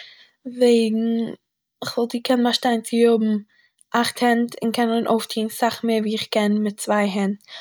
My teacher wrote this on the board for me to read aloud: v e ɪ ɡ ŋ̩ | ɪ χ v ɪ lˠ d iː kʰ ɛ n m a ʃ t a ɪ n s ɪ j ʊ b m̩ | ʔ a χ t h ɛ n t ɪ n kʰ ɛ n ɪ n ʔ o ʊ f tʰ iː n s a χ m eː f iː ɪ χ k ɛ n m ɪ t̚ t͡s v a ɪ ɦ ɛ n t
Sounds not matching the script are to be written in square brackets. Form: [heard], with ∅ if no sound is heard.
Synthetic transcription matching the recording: v e ɪ ɡ ŋ̩ | ɪ χ v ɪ lˠ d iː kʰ ɛ n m a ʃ t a ɪ n [t͡s] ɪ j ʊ b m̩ | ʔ a χ t h ɛ n t ɪ n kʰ ɛ n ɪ n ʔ o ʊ f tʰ iː n s a χ m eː [v] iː ɪ χ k ɛ n m ɪ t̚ t͡s v a ɪ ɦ ɛ n t